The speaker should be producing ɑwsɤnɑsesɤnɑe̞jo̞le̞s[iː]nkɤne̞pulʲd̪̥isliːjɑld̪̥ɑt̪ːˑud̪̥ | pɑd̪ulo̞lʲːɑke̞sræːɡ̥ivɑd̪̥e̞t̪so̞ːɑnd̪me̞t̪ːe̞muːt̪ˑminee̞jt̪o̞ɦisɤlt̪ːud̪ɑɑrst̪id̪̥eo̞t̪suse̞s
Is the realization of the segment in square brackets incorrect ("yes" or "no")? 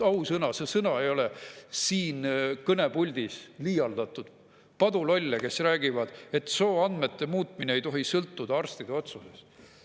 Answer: no